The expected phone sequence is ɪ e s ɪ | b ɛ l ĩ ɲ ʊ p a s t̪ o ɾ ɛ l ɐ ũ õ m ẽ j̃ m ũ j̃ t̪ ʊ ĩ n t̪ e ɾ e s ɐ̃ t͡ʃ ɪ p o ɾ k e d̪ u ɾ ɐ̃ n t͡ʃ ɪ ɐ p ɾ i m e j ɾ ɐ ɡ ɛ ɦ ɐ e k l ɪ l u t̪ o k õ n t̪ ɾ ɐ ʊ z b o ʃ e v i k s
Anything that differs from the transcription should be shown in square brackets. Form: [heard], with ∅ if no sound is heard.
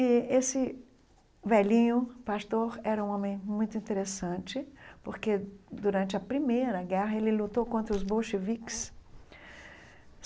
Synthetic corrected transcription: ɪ e s ɪ | [v] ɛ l ĩ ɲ ʊ p a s t̪ o ɾ ɛ [ɾ] ɐ ũ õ m ẽ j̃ m ũ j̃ t̪ ʊ ĩ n t̪ e ɾ e s ɐ̃ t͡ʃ ɪ p o ɾ k e d̪ u ɾ ɐ̃ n t͡ʃ ɪ ɐ p ɾ i m e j ɾ ɐ ɡ ɛ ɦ ɐ e [∅] l ɪ l u t̪ o k õ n t̪ ɾ ɐ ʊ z b o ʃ e v i k s